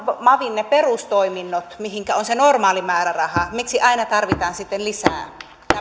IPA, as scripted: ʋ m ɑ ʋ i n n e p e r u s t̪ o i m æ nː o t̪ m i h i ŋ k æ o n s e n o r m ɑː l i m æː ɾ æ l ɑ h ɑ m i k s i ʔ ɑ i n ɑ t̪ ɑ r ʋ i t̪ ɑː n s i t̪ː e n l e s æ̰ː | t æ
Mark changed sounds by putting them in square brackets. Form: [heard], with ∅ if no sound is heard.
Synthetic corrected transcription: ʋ m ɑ ʋ i n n e p e r u s t̪ o i m [i] nː o t̪ m i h i ŋ k æ o n s e n o r m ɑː l i m æː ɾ æ [r] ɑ h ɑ m i k s i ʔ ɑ i n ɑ t̪ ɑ r ʋ i t̪ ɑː n s i t̪ː e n l [i] s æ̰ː | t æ